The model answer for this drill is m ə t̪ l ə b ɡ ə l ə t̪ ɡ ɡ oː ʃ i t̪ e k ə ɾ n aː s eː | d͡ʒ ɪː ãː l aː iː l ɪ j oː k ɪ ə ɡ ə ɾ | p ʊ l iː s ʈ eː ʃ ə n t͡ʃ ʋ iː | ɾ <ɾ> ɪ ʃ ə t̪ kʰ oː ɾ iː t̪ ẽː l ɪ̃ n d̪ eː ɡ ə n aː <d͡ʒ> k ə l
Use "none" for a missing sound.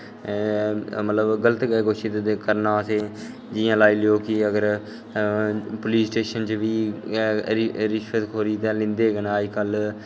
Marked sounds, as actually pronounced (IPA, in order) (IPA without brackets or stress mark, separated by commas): ɾ, d͡ʒ